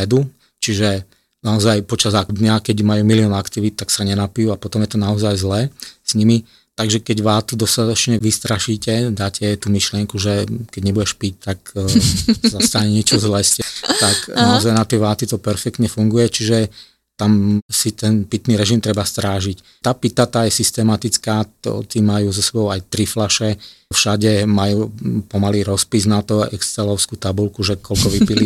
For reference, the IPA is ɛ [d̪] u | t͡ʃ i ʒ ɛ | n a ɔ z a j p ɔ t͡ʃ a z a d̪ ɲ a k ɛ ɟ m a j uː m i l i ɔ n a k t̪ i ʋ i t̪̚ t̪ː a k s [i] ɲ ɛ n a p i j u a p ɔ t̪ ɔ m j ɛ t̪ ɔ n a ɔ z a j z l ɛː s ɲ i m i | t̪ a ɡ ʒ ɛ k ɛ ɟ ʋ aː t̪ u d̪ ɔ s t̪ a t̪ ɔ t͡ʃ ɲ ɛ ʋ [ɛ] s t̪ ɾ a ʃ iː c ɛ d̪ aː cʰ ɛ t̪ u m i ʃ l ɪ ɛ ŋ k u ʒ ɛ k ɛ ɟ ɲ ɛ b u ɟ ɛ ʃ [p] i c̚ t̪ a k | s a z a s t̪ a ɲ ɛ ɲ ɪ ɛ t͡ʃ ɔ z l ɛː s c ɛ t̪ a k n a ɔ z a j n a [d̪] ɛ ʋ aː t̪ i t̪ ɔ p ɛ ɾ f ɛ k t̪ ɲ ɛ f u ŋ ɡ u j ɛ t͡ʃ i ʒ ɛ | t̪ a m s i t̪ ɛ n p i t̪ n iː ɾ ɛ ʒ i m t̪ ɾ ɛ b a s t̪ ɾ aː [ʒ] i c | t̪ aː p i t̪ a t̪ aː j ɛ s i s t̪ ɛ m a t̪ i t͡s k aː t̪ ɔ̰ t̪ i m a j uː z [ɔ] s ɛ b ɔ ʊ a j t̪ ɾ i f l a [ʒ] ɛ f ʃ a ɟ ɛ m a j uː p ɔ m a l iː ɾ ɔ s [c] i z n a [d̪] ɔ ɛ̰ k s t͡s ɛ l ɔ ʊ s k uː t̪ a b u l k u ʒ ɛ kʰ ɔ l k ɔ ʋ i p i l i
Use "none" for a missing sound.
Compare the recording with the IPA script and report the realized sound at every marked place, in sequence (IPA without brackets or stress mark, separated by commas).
d̪, a, i, p, t̪, ʒ, ɔ, ʃ, p, t̪